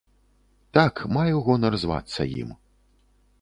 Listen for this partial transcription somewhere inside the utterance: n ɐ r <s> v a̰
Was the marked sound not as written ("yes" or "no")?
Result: yes